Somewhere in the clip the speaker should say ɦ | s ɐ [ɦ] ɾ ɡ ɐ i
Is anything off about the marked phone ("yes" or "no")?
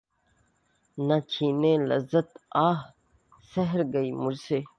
no